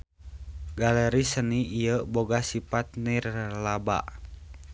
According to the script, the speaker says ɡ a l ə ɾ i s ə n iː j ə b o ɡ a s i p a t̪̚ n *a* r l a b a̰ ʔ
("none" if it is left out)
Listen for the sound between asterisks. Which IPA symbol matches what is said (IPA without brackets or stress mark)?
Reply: i